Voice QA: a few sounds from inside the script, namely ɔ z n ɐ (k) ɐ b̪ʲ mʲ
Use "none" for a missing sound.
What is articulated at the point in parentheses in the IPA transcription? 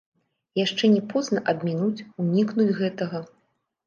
ʔ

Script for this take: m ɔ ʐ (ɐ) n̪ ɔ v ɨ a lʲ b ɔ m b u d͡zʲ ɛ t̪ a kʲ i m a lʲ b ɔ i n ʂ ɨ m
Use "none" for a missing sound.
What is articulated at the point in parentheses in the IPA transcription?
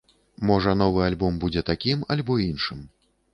ɐ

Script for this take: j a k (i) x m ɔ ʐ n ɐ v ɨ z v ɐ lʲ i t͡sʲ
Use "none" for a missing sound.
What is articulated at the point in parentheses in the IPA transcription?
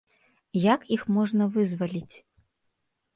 i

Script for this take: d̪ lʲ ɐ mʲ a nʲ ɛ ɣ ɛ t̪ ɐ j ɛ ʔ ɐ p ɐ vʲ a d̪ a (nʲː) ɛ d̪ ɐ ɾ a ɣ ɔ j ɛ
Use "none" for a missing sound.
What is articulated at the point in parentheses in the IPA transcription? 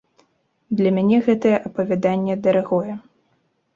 nʲː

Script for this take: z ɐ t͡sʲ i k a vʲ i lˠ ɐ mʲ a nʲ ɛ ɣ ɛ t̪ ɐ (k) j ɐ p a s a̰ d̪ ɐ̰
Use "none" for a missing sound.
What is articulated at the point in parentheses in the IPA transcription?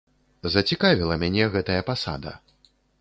none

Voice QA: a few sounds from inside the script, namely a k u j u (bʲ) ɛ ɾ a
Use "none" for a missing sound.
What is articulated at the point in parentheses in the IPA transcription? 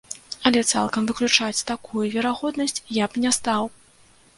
vʲ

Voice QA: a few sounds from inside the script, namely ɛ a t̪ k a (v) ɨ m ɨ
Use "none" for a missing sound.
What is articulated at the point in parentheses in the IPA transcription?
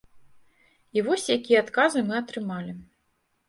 z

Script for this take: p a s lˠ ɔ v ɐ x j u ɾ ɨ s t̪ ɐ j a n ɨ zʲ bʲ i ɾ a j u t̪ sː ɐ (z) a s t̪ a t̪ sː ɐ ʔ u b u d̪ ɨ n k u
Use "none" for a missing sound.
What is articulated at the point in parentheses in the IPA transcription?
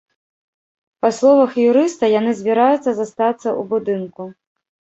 z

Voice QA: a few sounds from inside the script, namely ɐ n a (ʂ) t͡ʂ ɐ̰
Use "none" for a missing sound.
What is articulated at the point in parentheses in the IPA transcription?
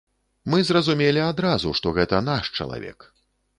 ʂ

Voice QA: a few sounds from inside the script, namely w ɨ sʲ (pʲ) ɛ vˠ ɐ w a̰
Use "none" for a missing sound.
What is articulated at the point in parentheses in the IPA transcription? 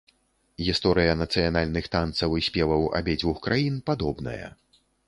pʲ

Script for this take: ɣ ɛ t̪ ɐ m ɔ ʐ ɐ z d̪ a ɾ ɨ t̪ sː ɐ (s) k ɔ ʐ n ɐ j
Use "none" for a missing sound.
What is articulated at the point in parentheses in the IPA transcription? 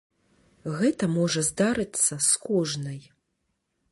s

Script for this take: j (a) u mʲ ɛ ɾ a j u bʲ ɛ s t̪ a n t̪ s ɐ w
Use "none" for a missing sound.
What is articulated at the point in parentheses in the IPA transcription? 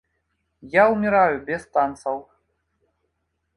a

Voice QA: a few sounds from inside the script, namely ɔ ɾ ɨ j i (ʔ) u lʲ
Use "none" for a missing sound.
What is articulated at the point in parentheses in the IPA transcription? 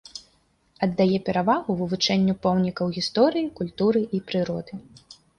k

